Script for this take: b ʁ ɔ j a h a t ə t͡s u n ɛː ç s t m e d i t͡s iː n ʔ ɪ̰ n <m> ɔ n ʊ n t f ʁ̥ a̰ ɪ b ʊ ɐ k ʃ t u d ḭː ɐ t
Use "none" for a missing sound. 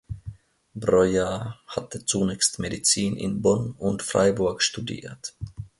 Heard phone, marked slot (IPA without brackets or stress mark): b